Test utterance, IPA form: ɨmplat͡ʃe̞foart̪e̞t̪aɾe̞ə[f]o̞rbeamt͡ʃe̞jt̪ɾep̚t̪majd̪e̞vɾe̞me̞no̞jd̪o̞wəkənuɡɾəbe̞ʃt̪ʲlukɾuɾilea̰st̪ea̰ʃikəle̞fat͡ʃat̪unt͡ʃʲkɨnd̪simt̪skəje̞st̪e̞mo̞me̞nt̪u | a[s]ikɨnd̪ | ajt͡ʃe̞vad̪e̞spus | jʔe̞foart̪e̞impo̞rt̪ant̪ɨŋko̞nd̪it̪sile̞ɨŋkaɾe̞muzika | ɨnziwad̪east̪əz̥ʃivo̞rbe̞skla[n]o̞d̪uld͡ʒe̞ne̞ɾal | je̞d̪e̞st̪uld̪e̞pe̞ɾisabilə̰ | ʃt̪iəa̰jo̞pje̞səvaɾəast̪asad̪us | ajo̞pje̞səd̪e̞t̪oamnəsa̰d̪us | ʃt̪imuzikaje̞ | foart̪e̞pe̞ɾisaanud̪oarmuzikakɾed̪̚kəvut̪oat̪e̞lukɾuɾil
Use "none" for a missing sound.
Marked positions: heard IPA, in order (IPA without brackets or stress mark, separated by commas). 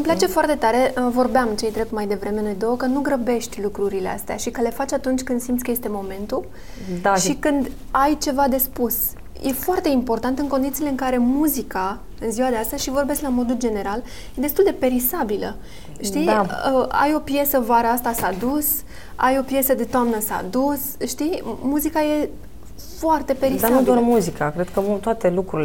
v, ʃ, m